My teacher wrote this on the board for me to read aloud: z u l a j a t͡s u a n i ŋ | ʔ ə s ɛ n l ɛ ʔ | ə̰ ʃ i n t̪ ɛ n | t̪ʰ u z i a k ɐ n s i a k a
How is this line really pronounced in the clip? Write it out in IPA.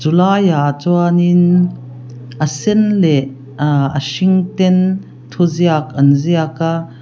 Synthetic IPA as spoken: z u l a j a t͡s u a n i n | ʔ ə s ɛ n l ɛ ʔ | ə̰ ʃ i ŋ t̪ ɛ n | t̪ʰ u z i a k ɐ n z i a k a

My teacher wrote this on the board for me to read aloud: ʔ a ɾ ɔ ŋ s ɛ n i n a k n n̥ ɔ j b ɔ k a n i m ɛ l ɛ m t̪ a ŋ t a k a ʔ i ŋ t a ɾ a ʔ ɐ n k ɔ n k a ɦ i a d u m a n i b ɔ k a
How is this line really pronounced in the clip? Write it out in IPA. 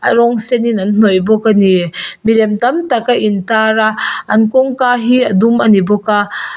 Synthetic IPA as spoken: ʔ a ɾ ɔ ŋ s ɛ n i n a n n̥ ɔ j b ɔ k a n i m i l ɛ m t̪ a m t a k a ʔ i n t a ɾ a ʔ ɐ n k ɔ ŋ k a ɦ i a d u m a n i b ɔ k a

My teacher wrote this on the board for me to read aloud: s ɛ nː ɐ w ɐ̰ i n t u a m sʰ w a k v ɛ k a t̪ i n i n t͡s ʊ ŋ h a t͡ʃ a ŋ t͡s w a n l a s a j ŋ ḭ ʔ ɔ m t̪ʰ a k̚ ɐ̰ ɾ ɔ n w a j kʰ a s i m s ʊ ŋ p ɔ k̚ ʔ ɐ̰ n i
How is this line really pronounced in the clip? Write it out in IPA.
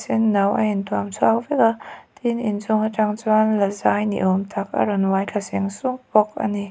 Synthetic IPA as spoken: s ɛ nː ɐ w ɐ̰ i n t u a m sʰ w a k v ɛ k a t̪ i n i n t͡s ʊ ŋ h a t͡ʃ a ŋ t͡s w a n l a z a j n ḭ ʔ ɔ m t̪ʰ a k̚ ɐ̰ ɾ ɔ n w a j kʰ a s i ŋ s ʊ ŋ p ɔ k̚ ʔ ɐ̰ n i

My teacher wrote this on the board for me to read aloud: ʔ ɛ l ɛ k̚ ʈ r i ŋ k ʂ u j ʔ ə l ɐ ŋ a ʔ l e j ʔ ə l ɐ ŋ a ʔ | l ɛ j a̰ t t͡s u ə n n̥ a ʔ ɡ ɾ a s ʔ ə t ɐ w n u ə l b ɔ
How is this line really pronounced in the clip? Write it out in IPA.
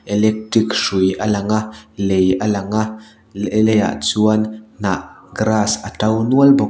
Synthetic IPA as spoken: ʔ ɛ l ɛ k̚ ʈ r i k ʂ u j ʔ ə l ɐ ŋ a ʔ l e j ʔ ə l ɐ ŋ a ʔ | l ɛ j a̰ ʔ t͡s u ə n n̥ a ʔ ɡ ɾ a s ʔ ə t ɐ w n u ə l b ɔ

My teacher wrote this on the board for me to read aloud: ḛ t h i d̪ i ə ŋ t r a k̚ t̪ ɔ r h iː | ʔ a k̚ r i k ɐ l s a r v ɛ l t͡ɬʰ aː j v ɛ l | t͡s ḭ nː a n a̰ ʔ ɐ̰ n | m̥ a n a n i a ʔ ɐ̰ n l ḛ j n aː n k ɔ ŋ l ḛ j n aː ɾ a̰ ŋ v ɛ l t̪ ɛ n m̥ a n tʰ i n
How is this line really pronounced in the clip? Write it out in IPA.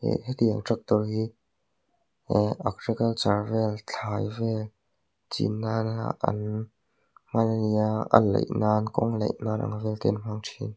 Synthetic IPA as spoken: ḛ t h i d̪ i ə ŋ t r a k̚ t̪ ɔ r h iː | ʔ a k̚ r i k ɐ l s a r v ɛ l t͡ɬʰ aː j v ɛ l | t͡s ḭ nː a n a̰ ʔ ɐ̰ n | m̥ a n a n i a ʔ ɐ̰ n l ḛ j n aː n k ɔ ŋ l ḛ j n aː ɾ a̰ ŋ v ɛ l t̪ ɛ n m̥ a ŋ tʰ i n

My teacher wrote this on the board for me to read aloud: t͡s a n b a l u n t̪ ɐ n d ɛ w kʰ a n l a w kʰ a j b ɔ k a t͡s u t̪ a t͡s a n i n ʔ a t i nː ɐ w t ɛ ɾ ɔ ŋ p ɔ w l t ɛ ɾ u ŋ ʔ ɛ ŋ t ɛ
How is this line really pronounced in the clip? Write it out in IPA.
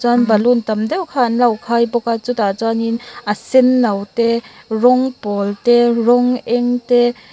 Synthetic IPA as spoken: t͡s a n b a l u n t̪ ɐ m d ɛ w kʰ a n l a w kʰ a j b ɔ k a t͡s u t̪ a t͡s a n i n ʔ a s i nː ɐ w t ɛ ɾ ɔ ŋ p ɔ l t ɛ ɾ ɔ ŋ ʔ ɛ ŋ t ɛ

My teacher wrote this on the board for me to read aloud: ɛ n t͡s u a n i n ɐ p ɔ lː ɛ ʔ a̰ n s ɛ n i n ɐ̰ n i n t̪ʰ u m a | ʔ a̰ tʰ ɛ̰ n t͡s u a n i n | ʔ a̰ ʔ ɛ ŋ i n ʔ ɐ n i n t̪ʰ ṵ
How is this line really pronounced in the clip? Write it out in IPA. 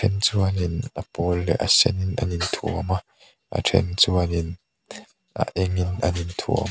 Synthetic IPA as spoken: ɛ n t͡s u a n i n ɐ p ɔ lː ɛ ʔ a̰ s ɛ n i n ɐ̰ n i n t̪ʰ u m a | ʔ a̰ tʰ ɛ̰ n t͡s u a n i n | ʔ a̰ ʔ ɛ ŋ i n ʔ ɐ n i n t̪ʰ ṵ

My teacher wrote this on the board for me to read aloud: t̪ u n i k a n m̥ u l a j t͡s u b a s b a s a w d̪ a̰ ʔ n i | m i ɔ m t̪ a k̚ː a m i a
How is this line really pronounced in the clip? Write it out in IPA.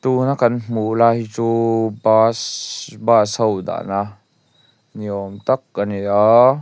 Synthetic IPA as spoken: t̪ u n a k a n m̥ u l a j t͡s u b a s b a s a w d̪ a̰ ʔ n a | n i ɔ m t̪ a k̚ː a n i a

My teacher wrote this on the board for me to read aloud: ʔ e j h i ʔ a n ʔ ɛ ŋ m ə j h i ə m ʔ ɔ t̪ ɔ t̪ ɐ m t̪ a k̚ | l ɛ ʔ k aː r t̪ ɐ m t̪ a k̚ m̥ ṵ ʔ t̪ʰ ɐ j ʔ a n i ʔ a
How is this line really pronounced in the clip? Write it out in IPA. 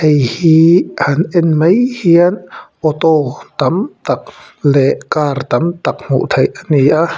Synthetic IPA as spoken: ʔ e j h i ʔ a n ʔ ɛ n m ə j h i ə n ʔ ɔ t̪ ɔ t̪ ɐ m t̪ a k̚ | l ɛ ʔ k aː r t̪ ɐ m t̪ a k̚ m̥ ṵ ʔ t̪ʰ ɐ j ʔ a n i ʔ a

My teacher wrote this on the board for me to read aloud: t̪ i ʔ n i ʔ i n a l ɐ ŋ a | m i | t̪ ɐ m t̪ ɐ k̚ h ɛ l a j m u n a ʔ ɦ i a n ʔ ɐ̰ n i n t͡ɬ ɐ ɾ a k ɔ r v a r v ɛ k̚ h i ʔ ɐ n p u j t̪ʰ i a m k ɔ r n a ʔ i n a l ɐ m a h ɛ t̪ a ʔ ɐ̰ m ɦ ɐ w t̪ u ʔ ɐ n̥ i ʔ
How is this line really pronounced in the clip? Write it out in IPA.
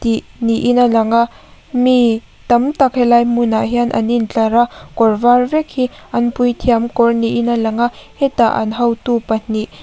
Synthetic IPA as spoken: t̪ i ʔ n i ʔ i n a l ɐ ŋ a | m i | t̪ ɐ m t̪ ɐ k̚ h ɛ l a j m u n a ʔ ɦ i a n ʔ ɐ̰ n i n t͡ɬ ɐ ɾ a k ɔ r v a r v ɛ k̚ h i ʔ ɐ n p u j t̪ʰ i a m k ɔ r n i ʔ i n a l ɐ ŋ a h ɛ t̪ a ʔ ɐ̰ n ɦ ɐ w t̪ u p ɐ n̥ i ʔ

